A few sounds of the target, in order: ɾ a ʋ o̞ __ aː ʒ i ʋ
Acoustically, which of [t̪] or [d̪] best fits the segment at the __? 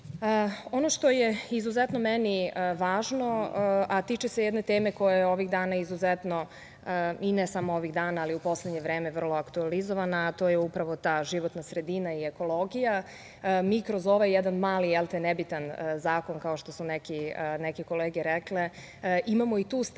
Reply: t̪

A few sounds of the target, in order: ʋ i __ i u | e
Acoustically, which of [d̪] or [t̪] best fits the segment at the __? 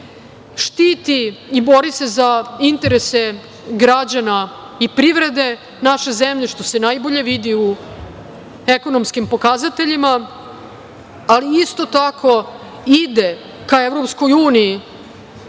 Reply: d̪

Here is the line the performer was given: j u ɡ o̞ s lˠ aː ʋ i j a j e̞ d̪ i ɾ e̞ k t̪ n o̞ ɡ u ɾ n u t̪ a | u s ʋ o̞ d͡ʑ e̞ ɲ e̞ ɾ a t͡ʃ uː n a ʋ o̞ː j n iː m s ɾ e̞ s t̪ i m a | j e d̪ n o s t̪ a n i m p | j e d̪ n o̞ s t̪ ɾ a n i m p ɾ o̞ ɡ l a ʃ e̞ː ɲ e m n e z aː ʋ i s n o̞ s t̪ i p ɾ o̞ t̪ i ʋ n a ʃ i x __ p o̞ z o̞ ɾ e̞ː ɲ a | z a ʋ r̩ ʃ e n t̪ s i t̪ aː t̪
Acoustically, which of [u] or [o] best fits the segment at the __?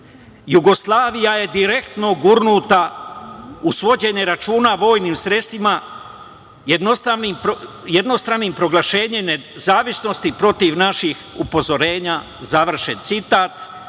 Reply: u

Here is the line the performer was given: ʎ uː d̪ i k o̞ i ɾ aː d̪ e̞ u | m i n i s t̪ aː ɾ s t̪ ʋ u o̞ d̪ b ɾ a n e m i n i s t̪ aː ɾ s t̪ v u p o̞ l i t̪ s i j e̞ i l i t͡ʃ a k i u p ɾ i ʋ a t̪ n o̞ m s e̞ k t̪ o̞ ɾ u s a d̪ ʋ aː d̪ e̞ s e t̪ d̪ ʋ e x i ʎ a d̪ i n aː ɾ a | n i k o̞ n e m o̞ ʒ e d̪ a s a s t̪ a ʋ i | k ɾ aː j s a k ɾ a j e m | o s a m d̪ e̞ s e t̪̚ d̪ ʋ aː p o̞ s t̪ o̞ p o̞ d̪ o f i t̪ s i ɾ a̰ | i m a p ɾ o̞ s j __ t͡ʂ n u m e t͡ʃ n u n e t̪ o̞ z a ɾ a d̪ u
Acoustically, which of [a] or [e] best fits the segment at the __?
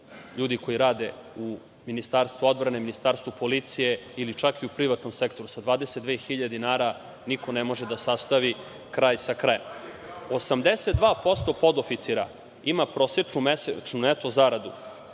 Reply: e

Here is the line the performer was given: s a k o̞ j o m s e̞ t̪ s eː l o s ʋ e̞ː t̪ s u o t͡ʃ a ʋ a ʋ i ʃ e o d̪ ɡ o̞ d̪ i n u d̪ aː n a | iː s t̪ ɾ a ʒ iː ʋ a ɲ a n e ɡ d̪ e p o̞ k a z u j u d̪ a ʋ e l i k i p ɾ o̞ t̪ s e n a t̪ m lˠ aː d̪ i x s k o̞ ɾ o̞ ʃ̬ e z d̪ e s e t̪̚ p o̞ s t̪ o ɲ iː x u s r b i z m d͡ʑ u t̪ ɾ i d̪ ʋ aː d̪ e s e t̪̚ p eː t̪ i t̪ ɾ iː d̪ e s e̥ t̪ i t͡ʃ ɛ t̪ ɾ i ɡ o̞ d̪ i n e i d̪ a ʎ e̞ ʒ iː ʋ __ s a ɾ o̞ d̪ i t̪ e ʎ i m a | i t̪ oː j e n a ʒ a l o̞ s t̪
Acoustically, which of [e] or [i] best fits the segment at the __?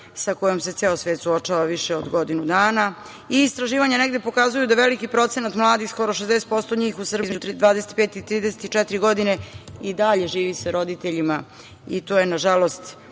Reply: i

